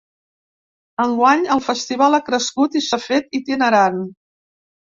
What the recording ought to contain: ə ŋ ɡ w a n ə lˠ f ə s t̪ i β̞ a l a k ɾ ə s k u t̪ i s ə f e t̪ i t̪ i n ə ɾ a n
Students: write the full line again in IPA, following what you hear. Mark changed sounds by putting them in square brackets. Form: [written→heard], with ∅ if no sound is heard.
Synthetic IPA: ə ŋ ɡ w a [n→ɲ] ə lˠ f ə s t̪ i β̞ a l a k ɾ ə s k u t̪ i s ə f e t̪ i t̪ i n ə ɾ a n